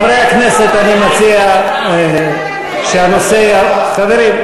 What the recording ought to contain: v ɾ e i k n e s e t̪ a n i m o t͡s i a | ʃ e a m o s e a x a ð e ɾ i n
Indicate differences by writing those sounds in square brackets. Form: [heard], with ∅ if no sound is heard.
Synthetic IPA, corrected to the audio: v ɾ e [a] k n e s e t̪ a n i m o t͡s i a | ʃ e a [n] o s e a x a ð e ɾ i [m]